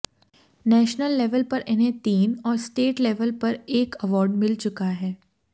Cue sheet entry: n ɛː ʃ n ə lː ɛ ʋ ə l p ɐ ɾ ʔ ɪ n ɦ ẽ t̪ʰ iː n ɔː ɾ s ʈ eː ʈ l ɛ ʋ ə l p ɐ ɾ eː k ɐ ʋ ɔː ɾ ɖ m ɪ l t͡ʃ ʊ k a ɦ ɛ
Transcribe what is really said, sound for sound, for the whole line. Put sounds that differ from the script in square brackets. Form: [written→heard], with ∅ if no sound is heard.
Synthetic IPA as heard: n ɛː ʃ n ə lː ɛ ʋ ə l p ɐ ɾ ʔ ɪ n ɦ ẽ [t̪ʰ→t̪] iː n ɔː ɾ s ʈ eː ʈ l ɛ ʋ ə l p ɐ ɾ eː k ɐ ʋ ɔː ɾ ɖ m ɪ l t͡ʃ ʊ k a ɦ [ɛ→ɛː]

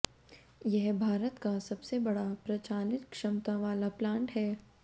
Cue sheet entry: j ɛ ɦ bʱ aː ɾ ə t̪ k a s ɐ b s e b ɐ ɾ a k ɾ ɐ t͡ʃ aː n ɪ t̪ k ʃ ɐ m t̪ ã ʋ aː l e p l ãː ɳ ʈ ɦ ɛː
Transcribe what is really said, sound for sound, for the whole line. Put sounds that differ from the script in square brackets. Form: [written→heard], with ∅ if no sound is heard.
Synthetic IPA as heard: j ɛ ɦ bʱ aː ɾ ə t̪ k a s ɐ b s e b ɐ [ɾ→ɽ] a [k→p] ɾ ɐ t͡ʃ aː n ɪ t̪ k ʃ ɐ m t̪ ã ʋ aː l [e→a] p l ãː ɳ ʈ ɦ ɛː

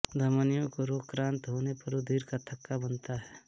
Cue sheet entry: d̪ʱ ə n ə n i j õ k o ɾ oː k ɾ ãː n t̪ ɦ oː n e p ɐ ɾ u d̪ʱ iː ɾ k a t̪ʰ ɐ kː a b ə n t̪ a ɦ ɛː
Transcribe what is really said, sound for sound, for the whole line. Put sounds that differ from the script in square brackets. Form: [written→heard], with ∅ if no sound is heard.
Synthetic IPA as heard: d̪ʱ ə [n→m] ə n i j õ k o ɾ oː k ɾ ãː n t̪ ɦ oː n e p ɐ ɾ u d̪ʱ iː ɾ k a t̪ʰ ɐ kː a b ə n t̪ a ɦ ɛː

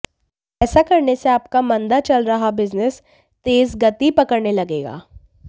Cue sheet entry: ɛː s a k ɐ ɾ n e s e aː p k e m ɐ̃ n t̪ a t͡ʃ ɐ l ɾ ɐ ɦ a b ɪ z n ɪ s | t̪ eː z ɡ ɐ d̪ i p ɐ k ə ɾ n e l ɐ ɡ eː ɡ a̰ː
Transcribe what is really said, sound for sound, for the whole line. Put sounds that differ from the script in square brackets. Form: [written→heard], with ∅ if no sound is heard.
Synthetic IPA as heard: ɛː s a k ɐ ɾ n e s e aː p k [e→a] m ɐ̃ n [t̪→d̪] a t͡ʃ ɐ l ɾ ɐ ɦ a b ɪ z n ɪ s | t̪ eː z ɡ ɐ [d̪→t̪] i p ɐ k ə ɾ n e l ɐ ɡ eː ɡ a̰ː

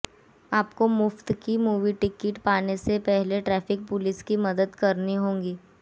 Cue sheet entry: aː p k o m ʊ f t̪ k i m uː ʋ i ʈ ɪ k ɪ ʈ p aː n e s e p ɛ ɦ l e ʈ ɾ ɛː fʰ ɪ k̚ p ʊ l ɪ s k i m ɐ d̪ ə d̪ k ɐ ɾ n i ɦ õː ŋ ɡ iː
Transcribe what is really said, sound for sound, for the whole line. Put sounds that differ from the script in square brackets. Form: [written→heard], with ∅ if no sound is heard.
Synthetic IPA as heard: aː p k o m ʊ f t̪ k i m uː ʋ i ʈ ɪ k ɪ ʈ p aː n e s e p ɛ ɦ l e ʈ ɾ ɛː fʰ ɪ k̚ p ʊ l ɪ s k i m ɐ d̪ ə d̪ k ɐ ɾ n i ɦ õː ŋ ɡ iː

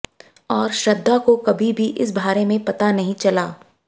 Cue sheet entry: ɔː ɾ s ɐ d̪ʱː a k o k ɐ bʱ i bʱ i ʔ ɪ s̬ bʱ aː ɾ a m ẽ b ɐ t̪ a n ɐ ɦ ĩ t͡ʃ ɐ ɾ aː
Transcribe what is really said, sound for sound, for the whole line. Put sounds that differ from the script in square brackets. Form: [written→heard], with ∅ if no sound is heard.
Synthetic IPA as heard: ɔː ɾ [s→ʃ] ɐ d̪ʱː a k o k ɐ bʱ i bʱ i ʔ ɪ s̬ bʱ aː ɾ [a→e] m ẽ [b→p] ɐ t̪ a n ɐ ɦ ĩ t͡ʃ ɐ [ɾ→l] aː

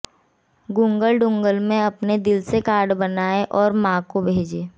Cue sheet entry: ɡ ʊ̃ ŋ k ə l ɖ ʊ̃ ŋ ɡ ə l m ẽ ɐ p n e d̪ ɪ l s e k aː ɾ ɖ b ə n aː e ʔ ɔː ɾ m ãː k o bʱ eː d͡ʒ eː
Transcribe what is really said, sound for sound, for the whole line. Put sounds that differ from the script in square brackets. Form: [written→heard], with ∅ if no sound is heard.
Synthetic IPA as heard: ɡ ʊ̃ ŋ [k→ɡ] ə l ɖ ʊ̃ ŋ ɡ ə l m ẽ ɐ p n e d̪ ɪ l s e k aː ɾ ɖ b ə n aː e ʔ ɔː ɾ m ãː k o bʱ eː d͡ʒ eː

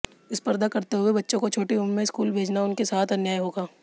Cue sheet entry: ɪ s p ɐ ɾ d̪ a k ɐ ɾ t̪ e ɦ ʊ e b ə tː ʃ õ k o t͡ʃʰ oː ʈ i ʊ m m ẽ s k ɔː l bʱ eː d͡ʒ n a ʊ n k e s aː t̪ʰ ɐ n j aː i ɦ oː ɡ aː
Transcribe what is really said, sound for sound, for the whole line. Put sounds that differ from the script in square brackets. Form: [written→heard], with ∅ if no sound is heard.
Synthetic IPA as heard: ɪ s p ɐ ɾ d̪ a k ɐ ɾ t̪ e ɦ ʊ e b [ə→ɐ] tː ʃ õ k o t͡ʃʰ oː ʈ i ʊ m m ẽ s k [ɔː→uː] l bʱ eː d͡ʒ n a ʊ n k e s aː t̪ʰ ɐ n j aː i ɦ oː ɡ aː

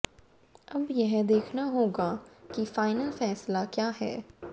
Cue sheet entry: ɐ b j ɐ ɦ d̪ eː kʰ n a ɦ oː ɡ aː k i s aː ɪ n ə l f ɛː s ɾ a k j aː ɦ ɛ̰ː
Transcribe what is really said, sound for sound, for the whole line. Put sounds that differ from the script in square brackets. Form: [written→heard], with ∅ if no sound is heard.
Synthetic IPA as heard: ɐ b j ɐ ɦ d̪ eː kʰ n a ɦ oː ɡ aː k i [s→f] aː ɪ n ə l f ɛː s [ɾ→l] a k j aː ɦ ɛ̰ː

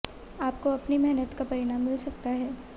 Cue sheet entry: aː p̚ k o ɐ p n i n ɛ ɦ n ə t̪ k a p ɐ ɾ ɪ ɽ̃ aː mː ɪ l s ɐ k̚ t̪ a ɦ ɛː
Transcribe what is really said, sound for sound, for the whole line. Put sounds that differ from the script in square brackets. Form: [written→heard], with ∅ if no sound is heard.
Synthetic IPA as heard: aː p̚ k o ɐ p n i [n→m] ɛ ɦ n ə t̪ k a p ɐ ɾ ɪ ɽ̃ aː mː ɪ l s ɐ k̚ t̪ a ɦ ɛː

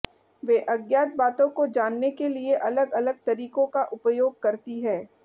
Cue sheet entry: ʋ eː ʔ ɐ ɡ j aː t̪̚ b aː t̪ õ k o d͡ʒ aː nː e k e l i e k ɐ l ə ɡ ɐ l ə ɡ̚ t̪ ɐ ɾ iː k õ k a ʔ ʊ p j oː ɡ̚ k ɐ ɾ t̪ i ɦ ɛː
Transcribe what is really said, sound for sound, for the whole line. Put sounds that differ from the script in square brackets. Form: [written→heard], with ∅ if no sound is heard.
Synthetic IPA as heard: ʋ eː ʔ ɐ ɡ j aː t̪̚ b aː t̪ õ k o d͡ʒ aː nː e k e l i e [k→ʔ] ɐ l ə ɡ ɐ l ə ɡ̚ t̪ ɐ ɾ iː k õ k a ʔ ʊ p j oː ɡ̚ k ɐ ɾ t̪ i ɦ ɛː

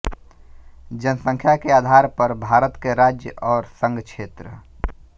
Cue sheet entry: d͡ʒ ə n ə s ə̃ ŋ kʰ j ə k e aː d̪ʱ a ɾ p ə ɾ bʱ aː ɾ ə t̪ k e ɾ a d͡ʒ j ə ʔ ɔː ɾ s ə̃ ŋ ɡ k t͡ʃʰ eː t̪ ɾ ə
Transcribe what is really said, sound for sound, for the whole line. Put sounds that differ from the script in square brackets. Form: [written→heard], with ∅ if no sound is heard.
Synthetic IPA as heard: d͡ʒ ə n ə s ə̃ ŋ kʰ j [ə→a] k e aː d̪ʱ a ɾ p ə ɾ bʱ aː ɾ ə t̪ k e ɾ a d͡ʒ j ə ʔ ɔː ɾ s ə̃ ŋ ɡ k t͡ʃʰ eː t̪ ɾ ə

